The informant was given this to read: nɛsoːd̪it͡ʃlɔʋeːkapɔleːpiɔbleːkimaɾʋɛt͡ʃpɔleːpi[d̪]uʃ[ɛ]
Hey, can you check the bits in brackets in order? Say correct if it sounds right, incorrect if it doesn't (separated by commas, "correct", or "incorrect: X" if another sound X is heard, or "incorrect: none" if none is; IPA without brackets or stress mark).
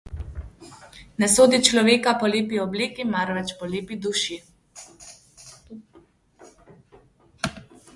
correct, incorrect: i